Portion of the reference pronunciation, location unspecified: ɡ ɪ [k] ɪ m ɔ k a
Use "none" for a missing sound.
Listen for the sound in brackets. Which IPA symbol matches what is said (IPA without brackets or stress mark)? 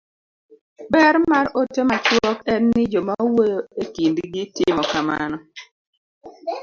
t